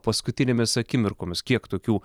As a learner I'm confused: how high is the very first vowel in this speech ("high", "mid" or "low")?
low